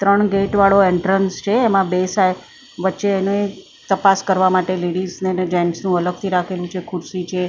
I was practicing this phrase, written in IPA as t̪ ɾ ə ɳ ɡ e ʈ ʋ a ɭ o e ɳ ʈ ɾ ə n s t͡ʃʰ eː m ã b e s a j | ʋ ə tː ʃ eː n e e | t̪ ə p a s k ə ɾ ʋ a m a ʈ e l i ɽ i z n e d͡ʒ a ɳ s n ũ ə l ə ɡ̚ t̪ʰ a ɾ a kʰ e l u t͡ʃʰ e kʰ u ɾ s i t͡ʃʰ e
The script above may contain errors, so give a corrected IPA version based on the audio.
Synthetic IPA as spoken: t̪ ɾ ə ɳ ɡ e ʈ ʋ a ɭ o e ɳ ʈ ɾ ə n s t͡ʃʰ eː m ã b e s a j | ʋ ə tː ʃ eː n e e | t̪ ə p a s k ə ɾ ʋ a m a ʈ e l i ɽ i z n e d͡ʒ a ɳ s n ũ ə l ə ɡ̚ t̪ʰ i ɾ a kʰ e l ũ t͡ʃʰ e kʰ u ɾ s i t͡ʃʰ e